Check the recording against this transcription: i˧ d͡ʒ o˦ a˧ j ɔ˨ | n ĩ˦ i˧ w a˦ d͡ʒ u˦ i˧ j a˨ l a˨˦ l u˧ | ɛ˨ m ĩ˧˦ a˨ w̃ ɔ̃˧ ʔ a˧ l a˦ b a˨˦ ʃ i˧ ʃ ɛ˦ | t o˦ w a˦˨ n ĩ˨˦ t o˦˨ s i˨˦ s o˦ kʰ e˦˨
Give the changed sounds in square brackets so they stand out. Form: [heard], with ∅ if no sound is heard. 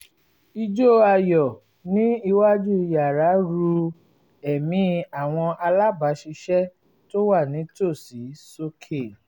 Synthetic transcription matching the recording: i˧ d͡ʒ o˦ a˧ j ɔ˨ | n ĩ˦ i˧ w a˦ d͡ʒ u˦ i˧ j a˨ [ɾ] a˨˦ [ɾ] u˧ | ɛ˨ m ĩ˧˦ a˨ w̃ ɔ̃˧ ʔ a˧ l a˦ b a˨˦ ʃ i˧ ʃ ɛ˦ | t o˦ w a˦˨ n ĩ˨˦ t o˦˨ s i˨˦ s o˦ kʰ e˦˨